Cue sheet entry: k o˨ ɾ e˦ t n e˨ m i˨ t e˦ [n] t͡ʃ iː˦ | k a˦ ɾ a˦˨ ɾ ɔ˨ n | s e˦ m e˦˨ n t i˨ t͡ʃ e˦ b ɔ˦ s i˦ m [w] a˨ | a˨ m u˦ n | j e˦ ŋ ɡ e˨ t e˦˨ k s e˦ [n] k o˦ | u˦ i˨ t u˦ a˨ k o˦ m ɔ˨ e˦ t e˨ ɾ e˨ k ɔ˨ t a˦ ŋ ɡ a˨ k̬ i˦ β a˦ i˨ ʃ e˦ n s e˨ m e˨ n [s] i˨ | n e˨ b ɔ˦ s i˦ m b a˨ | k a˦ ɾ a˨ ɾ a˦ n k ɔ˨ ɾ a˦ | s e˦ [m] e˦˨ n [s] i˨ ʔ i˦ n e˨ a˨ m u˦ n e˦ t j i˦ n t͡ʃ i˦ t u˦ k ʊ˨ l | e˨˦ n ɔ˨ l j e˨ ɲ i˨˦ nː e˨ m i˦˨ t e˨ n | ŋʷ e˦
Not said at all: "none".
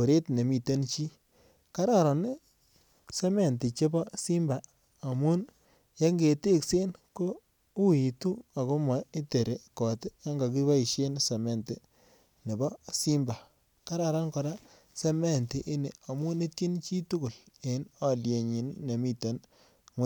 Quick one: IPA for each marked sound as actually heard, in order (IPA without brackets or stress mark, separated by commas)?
n, b, n, t, m, t